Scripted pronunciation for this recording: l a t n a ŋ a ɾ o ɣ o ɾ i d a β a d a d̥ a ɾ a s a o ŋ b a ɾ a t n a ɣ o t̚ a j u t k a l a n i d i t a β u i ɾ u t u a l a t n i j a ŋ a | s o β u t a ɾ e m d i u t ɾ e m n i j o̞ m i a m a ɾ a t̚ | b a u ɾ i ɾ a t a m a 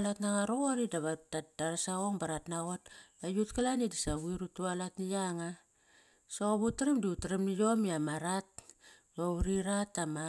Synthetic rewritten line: l a t n a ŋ a ɾ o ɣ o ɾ i d a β a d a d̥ a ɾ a s a o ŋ b a ɾ a t n a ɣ o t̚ a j u t k a l a n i d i s a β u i ɾ u t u a l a t n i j a ŋ a | s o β u t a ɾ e m d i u t ɾ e m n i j o̞ m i a m a ɾ a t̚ | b a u ɾ i ɾ a t a m a

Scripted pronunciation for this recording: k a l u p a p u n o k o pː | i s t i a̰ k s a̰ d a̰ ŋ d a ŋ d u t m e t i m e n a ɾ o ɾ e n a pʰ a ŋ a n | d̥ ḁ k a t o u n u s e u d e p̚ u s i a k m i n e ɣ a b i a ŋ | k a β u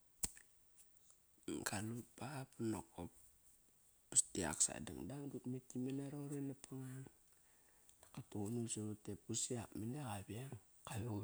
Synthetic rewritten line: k a l u p a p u n o k o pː | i s t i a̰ k s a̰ d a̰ ŋ d a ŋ d u t m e t i m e n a ɾ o ɾ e n a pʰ a ŋ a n | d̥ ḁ k a t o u n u s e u t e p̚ u s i a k m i n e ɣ a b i a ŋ | k a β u

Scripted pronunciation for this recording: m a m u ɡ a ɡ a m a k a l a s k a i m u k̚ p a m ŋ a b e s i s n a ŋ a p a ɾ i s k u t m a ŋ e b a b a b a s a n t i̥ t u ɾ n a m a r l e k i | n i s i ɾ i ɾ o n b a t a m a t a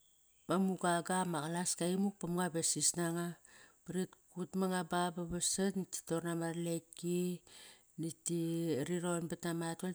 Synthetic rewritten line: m a m u ɡ a ɡ a m a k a l a s k a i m u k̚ p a m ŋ a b e s i s n a ŋ a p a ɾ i t k u t m a ŋ a b a b a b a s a n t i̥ t o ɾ n a m a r l e k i | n i t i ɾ i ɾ o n b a t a m a t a

